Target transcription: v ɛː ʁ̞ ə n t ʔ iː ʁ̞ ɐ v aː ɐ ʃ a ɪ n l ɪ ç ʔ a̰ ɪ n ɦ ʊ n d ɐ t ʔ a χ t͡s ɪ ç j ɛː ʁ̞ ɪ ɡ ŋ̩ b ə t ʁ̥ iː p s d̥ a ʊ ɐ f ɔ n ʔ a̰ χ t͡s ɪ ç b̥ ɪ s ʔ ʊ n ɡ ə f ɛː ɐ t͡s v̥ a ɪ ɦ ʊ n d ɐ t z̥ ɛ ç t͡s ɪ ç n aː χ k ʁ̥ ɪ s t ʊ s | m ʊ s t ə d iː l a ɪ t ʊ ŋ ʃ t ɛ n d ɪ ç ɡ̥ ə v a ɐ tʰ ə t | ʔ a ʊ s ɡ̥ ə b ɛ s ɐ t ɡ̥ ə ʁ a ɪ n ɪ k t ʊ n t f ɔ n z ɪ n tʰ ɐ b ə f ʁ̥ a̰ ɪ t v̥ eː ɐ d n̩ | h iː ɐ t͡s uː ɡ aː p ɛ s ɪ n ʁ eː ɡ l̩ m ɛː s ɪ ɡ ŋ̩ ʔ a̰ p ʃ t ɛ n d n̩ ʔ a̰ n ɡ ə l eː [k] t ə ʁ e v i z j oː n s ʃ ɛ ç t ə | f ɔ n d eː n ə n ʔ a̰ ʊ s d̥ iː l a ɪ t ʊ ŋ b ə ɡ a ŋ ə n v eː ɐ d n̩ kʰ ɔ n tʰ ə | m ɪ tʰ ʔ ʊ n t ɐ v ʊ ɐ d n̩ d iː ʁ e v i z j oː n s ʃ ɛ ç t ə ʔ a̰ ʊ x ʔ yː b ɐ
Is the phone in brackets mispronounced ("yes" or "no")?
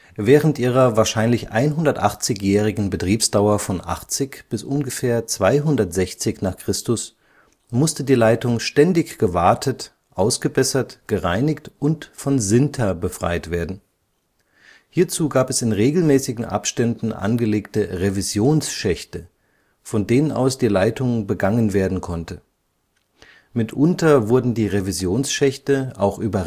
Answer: no